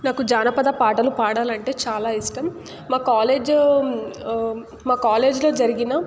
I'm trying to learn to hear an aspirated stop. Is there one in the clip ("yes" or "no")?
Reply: no